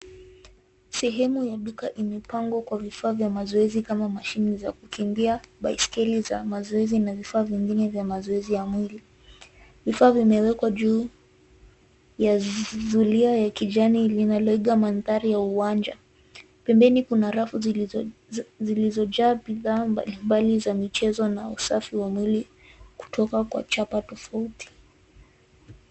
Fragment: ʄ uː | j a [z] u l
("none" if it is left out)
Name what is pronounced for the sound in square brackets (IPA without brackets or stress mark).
z